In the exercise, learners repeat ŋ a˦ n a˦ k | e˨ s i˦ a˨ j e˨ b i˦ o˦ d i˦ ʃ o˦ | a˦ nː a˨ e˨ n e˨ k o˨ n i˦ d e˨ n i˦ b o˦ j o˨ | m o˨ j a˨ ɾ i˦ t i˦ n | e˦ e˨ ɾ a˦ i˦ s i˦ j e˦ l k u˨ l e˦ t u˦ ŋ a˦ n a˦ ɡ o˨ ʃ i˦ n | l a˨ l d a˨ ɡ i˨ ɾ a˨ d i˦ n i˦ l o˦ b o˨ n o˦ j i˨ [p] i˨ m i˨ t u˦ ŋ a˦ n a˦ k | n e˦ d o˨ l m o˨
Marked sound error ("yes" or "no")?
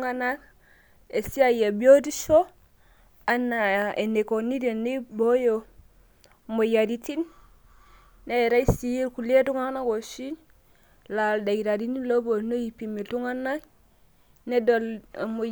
no